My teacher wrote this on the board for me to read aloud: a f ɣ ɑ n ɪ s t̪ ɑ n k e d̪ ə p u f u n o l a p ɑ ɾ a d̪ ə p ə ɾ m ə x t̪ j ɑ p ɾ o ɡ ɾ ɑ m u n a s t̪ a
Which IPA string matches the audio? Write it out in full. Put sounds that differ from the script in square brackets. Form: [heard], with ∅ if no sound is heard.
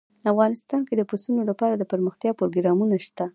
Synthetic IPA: a f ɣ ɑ n ɪ s t̪ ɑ n k e d̪ ə p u [s] u n o l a p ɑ ɾ a d̪ ə p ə ɾ m ə x t̪ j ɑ p ɾ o ɡ ɾ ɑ m u n a [ʃ] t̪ a

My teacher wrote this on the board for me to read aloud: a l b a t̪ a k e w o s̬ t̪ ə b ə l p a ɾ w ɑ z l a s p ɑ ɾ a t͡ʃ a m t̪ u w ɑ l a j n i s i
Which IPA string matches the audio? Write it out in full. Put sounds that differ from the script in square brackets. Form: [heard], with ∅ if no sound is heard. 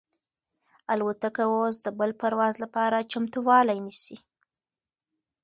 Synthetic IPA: a l [w] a t̪ a k [a] w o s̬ [d̪] ə b ə l p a ɾ w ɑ z l a [∅] p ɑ ɾ a t͡ʃ a m t̪ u w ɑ l a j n i s i

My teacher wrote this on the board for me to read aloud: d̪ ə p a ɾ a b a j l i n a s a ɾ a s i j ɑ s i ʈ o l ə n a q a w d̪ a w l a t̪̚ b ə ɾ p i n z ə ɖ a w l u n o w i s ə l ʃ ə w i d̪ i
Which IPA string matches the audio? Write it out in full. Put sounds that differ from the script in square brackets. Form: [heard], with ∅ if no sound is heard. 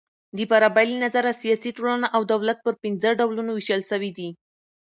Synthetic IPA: d̪ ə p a ɾ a b a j l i n a [z] a ɾ a s i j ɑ s i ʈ o l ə n a [ʔ] a w d̪ a w l a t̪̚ [p] ə ɾ p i n z ə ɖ a w l u n o w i [ʃ] ə l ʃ ə w i d̪ i

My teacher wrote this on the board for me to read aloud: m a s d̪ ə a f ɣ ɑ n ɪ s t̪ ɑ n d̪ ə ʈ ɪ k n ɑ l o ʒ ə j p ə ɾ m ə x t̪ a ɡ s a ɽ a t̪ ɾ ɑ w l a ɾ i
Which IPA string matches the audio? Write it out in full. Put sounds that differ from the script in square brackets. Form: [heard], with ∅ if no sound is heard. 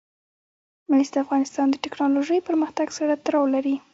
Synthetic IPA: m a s d̪ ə a f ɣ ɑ n ɪ s t̪ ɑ n d̪ ə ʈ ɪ k n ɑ l o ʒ ə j p ə ɾ m ə x t̪ a ɡ s a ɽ a t̪ ɾ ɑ w l a ɾ i

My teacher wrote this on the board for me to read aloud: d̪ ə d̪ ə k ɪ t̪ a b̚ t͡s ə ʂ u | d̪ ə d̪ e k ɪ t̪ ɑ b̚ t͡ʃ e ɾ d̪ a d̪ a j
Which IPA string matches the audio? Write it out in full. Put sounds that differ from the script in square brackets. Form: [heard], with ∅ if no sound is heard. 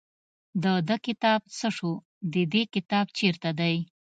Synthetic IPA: d̪ ə d̪ ə k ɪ t̪ [ɑ] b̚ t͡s ə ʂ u | d̪ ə d̪ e k ɪ t̪ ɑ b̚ t͡ʃ e ɾ [t̪] a d̪ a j

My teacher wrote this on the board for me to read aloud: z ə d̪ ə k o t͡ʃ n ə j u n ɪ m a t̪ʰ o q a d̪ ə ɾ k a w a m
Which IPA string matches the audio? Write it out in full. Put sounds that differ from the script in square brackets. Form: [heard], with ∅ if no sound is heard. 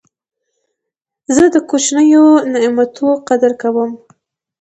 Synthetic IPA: z ə d̪ ə k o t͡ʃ n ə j [o] n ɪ m a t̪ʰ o q a d̪ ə ɾ k a w [ə] m

